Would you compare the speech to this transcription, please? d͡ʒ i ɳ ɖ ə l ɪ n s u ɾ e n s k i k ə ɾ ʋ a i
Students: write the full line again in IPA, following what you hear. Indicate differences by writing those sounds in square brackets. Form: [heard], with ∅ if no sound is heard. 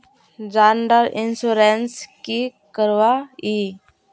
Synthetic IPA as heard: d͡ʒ [a] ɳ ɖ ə [ɾ] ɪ n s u ɾ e n s k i k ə ɾ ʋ a i